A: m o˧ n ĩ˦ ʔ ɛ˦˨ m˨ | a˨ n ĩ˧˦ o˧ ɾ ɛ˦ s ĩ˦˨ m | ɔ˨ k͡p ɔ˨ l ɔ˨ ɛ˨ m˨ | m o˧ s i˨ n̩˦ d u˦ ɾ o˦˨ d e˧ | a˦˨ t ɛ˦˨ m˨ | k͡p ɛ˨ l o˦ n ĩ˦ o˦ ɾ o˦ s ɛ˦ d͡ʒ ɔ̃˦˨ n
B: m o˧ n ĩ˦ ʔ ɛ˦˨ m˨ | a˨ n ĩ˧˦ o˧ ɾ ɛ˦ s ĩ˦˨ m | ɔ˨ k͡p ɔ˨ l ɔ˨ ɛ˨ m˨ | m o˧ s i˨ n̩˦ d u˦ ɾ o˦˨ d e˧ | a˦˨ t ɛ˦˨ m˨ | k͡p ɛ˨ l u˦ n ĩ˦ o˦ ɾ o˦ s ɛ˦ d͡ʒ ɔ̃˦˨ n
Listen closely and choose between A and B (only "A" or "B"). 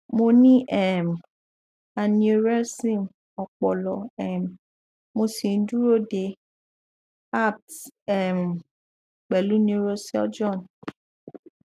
B